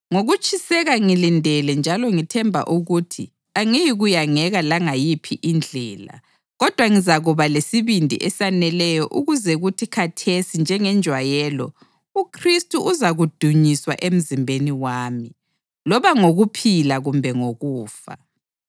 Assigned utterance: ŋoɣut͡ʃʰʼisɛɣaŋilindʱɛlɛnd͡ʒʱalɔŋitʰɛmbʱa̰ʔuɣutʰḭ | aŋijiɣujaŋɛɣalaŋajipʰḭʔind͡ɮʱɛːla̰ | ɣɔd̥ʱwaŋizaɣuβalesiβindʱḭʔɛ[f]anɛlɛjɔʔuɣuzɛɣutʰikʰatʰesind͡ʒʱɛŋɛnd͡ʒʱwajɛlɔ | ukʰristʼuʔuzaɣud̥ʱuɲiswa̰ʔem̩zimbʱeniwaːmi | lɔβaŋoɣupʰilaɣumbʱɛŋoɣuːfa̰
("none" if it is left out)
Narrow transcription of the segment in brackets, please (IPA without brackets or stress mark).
s